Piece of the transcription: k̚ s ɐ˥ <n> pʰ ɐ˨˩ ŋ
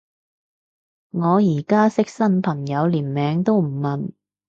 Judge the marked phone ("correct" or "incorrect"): correct